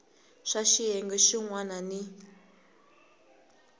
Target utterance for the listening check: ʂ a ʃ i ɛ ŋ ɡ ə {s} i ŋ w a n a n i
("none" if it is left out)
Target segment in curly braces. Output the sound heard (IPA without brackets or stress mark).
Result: ʃ